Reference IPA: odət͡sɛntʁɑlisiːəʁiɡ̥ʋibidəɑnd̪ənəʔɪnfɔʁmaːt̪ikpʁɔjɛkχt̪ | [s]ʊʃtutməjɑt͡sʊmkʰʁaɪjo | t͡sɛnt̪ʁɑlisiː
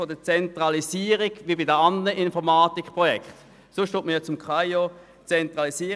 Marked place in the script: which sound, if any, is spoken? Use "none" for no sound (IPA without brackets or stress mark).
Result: s